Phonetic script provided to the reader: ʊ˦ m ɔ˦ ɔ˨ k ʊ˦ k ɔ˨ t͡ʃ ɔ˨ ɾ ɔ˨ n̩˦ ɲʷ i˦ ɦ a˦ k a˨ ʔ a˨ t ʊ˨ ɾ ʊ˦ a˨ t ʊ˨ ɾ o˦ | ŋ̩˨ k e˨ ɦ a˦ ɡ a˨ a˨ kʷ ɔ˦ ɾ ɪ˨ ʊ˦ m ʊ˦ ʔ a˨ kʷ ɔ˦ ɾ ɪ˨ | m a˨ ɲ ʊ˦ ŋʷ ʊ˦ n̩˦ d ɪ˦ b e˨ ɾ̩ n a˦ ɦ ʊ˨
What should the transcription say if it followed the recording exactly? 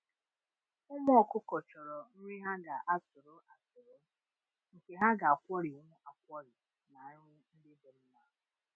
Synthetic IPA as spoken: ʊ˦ m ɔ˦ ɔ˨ k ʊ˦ k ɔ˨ t͡ʃ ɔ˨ ɾ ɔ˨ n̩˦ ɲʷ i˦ ɦ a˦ ɡ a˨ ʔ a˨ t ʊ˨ ɾ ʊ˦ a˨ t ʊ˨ ɾ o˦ | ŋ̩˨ k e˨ ɦ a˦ ɡ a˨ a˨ kʷ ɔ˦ ɾ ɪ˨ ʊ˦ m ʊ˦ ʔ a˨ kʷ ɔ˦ ɾ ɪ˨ | n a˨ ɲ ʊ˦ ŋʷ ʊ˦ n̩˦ d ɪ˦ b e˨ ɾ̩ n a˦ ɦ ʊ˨

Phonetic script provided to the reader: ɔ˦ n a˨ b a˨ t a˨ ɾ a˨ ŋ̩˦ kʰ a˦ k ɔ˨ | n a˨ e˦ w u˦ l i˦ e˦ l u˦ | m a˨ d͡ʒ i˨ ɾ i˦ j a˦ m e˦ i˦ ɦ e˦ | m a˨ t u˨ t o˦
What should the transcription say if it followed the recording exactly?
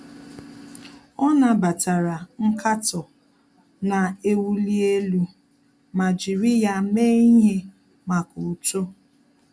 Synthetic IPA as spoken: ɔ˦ n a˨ b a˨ t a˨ ɾ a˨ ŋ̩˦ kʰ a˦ t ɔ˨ | n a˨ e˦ w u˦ l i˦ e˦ l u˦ | m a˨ d͡ʒ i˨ ɾ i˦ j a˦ m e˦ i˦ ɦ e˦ | m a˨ k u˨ t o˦

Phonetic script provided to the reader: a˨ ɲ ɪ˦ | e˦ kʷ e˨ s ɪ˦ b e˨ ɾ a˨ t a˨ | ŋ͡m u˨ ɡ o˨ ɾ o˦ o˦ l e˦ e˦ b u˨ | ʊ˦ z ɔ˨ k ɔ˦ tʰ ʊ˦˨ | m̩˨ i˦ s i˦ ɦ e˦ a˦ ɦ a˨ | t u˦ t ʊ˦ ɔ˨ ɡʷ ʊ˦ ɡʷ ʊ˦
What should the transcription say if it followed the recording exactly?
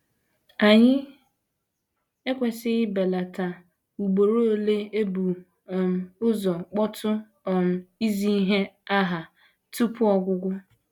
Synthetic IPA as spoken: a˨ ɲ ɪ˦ | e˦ kʷ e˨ s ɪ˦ b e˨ l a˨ t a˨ | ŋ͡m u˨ ɡ͡b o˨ ɾ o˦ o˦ l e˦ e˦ b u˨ | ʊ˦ z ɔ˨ k͡p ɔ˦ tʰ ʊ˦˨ | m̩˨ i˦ z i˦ ɦ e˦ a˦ ɦ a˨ | t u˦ p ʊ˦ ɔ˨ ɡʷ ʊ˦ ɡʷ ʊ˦

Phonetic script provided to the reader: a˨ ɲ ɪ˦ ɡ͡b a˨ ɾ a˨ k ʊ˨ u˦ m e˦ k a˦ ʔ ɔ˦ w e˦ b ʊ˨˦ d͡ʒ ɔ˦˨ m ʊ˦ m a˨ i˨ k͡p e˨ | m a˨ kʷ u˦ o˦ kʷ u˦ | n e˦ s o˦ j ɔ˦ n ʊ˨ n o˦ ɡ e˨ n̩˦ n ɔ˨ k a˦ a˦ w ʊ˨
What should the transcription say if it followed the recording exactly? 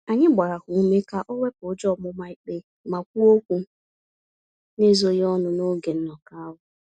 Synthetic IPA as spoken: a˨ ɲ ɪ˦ ɡ͡b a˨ ɾ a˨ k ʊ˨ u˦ m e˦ k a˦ ʔ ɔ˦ w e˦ p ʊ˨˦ d͡ʒ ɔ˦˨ m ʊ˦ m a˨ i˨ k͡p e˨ | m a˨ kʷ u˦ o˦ kʷ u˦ | n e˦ z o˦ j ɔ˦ n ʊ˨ n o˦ ɡ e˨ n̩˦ n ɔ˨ k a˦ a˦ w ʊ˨

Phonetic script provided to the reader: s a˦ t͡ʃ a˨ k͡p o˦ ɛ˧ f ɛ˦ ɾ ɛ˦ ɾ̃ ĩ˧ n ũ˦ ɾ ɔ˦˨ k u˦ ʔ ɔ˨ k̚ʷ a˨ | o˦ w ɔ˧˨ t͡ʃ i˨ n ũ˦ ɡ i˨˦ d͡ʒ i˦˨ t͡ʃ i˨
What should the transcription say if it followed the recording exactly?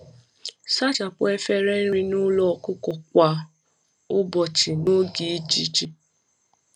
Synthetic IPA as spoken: s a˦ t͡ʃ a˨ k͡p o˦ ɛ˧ f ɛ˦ ɾ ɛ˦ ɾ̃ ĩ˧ n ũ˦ l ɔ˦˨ k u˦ k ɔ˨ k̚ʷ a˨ | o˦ b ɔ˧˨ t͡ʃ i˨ n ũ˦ ɡ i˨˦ d͡ʒ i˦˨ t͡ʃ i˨

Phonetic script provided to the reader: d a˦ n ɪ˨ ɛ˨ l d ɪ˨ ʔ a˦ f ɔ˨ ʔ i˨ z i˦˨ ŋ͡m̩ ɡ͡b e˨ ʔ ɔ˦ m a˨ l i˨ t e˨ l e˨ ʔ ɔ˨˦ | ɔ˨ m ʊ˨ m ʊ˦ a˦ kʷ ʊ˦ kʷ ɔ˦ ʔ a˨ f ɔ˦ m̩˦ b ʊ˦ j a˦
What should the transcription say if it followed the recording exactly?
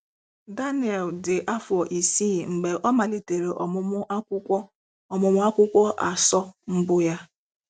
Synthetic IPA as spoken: d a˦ n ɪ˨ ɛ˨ l d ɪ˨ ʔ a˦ f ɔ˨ ʔ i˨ s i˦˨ ŋ͡m̩ ɡ͡b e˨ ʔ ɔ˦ m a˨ l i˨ t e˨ ɾ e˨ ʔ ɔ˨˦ | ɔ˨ m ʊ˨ m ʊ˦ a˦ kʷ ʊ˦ kʷ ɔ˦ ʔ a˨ s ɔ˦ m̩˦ b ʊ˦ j a˦

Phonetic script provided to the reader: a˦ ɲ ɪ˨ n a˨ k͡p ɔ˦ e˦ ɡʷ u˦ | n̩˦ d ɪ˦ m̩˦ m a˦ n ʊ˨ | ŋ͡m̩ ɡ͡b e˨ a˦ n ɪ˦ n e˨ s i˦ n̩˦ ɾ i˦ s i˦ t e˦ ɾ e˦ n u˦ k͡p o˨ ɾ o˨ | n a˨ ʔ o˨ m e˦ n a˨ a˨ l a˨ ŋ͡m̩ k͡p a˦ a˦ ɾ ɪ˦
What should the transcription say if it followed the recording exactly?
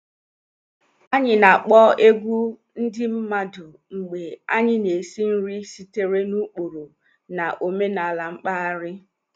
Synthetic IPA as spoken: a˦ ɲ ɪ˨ n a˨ k͡p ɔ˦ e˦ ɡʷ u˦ | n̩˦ d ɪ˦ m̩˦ m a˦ d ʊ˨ | ŋ͡m̩ ɡ͡b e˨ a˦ ɲ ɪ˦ n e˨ s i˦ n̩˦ ɾ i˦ s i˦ t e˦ ɾ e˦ n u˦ k͡p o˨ ɾ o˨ | n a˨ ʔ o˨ m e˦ n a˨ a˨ l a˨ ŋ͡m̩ k͡p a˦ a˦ ɾ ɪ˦

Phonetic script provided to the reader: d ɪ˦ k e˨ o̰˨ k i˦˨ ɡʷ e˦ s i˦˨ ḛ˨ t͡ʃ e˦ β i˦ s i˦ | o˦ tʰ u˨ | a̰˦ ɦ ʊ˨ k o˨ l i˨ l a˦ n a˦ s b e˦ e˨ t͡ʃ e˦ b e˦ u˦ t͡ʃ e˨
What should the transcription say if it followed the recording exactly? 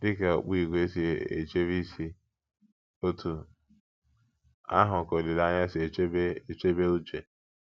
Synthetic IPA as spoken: d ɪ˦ k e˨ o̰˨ k͡p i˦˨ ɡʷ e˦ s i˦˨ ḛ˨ t͡ʃ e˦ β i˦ s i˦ | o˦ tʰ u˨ | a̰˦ ɦ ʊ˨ k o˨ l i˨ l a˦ ɲ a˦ s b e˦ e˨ t͡ʃ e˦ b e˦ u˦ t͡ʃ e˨

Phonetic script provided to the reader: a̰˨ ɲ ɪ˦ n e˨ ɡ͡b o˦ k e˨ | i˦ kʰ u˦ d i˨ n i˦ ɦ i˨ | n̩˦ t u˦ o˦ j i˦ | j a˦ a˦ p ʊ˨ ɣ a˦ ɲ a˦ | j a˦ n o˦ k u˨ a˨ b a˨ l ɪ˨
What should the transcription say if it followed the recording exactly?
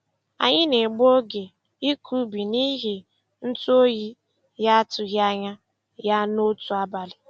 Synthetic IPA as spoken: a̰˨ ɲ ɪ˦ n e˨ ɡ͡b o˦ ɡ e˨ | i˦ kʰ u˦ b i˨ n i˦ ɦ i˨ | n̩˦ t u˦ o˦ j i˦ | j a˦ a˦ t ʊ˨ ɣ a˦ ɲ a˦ | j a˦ n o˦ t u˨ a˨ b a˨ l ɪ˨

